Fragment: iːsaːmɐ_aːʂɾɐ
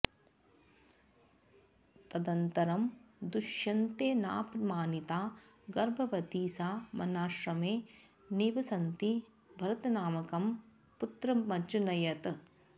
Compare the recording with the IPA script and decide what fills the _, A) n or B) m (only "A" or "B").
A